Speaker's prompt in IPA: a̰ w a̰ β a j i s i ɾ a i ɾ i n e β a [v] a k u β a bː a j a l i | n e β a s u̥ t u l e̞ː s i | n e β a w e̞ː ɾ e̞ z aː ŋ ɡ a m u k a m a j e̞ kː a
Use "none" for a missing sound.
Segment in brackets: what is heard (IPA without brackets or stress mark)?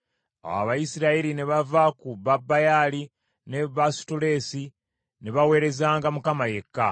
v